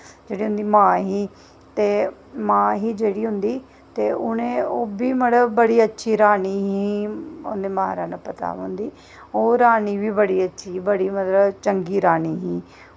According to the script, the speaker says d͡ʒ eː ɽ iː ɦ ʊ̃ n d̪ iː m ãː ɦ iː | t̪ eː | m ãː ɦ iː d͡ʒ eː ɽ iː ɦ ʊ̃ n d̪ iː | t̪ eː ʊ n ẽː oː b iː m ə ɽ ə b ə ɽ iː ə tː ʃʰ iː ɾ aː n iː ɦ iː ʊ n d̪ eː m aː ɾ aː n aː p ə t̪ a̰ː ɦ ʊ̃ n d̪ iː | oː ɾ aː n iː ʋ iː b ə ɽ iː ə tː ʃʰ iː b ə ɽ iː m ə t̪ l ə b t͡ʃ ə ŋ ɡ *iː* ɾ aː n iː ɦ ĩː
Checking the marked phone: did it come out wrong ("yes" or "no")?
no